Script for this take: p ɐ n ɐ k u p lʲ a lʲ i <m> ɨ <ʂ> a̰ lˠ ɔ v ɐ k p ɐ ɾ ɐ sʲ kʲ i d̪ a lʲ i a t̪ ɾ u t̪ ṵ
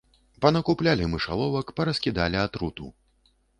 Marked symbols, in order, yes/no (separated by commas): yes, yes